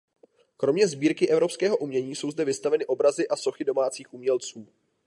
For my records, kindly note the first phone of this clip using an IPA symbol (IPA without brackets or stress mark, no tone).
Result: k